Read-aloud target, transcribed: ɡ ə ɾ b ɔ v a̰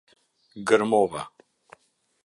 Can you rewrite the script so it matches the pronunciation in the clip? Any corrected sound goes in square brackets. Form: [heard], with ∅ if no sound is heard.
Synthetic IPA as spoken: ɡ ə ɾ [m] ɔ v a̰

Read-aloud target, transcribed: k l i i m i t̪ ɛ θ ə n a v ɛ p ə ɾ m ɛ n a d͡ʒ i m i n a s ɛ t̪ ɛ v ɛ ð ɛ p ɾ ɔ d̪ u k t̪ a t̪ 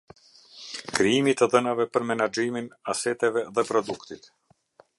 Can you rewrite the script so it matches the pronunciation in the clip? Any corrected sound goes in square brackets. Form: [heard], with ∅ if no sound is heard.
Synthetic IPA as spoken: k [ɾ] i i m i t̪ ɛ [ð] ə n a v ɛ p ə ɾ m ɛ n a d͡ʒ i m i n a s ɛ t̪ ɛ v ɛ ð ɛ p ɾ ɔ d̪ u k t̪ [i] t̪

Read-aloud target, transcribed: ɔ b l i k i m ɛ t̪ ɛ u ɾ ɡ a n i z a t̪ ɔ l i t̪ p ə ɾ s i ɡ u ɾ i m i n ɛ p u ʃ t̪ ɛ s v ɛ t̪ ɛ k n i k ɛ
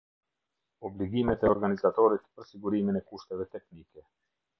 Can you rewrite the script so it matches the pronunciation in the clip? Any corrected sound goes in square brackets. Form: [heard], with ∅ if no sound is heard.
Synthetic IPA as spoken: ɔ b l i [ɡ] i m ɛ t̪ ɛ [ɔ] ɾ ɡ a n i z a t̪ ɔ [ɾ] i t̪ p ə ɾ s i ɡ u ɾ i m i n ɛ [k] u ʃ t̪ ɛ [∅] v ɛ t̪ ɛ k n i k ɛ

